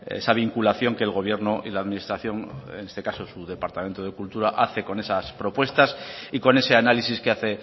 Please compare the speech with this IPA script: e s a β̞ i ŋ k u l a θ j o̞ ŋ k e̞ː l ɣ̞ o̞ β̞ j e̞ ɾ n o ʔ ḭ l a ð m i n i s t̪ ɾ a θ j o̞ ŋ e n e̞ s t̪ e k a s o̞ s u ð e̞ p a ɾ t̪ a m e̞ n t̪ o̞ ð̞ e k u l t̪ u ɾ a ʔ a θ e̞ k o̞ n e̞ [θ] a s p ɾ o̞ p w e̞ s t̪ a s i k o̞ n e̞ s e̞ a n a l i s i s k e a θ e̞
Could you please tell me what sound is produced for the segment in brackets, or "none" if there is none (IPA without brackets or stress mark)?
s